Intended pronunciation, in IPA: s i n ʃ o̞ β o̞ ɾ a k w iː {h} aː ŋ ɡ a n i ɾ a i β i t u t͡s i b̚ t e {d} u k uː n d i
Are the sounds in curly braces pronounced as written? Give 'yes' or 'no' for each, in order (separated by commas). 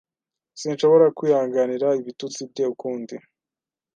yes, no